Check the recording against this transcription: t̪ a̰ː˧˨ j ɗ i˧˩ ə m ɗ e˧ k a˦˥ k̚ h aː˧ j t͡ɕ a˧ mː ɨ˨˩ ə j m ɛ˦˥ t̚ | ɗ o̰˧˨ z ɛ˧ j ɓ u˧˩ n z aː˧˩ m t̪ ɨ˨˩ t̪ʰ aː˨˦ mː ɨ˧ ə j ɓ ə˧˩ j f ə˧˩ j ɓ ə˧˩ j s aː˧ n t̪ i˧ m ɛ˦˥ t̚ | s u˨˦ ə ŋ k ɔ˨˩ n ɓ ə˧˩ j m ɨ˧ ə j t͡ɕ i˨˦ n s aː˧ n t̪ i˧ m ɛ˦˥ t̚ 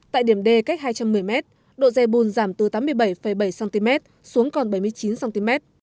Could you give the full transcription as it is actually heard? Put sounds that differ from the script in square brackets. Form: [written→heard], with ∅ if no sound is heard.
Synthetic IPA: t̪ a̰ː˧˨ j ɗ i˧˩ ə m ɗ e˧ k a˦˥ k̚ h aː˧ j t͡ɕ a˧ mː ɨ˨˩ ə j m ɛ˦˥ t̚ | ɗ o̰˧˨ z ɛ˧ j ɓ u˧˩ n z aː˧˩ m t̪ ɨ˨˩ [t̪ʰ→t̪] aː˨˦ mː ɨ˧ ə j ɓ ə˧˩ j f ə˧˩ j ɓ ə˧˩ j s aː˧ n t̪ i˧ m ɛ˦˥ t̚ | s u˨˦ ə ŋ k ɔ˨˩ n ɓ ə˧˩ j m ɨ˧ ə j t͡ɕ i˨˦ n s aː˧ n t̪ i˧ m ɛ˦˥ t̚